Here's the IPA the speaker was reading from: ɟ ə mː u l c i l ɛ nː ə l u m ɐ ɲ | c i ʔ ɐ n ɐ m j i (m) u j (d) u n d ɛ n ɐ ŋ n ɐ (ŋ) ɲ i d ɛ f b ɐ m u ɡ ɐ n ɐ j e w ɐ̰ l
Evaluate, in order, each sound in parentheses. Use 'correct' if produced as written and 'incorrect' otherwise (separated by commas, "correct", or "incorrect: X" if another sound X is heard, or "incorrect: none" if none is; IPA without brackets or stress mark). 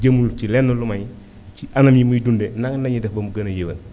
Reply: correct, correct, incorrect: none